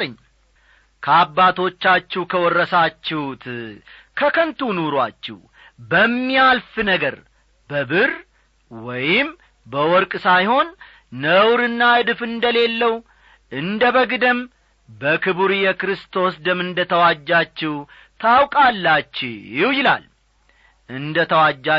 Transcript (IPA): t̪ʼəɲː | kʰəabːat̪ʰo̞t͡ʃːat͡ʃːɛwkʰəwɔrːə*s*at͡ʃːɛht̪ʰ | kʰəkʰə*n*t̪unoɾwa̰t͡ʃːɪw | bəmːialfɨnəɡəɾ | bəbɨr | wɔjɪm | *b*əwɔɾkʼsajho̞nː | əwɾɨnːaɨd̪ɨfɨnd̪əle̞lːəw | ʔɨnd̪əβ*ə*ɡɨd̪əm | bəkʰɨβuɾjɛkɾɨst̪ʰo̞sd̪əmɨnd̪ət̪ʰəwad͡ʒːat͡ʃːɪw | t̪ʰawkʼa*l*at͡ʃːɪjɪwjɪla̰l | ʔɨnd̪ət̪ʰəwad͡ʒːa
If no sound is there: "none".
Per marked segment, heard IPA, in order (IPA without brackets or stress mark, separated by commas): s, n, b, ə, lː